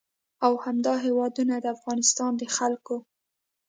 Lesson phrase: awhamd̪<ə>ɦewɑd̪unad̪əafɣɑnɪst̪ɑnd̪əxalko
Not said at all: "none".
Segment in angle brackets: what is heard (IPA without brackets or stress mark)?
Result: ɑ